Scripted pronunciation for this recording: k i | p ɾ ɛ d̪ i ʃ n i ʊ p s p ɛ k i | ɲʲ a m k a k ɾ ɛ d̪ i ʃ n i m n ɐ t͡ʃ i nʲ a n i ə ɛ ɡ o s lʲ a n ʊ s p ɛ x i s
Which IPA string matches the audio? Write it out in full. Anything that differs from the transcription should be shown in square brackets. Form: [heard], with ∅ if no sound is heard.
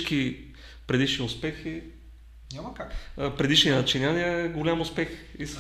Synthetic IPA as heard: k i | p ɾ ɛ d̪ i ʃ n i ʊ [∅] s p ɛ [x] i | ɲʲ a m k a [p] ɾ ɛ d̪ i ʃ n i [∅] n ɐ t͡ʃ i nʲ a n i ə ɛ ɡ o [∅] lʲ a [m] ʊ s p ɛ x i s